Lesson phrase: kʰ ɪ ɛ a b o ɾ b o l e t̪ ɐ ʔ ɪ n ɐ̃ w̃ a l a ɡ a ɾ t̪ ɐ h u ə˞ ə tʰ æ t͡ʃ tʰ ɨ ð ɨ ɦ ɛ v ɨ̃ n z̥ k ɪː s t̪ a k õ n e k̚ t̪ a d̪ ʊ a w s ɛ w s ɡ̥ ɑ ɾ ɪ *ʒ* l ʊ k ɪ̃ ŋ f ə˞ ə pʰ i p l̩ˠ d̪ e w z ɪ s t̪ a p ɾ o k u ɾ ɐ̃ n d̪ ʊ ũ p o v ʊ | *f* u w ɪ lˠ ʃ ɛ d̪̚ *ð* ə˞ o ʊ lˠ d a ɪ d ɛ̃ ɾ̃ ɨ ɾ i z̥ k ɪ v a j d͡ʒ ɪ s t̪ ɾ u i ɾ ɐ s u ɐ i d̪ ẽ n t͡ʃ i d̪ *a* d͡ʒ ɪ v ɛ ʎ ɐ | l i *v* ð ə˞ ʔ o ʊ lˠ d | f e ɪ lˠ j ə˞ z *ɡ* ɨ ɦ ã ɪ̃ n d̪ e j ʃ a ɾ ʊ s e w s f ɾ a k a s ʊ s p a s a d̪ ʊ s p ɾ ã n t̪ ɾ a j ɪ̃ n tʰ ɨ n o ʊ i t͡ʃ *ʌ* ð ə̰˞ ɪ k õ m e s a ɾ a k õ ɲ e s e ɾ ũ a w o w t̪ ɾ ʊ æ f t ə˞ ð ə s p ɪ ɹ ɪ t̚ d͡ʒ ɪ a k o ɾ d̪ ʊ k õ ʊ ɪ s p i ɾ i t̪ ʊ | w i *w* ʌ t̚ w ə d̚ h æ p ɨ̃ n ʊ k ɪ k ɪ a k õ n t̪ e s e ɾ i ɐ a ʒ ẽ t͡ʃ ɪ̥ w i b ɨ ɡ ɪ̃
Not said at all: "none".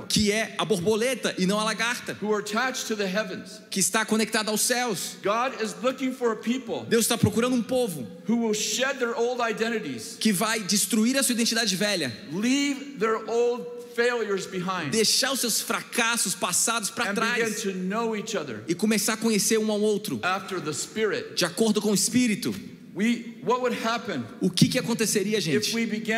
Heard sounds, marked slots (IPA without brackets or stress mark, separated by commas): z, h, ð, a, v, b, ʌ, w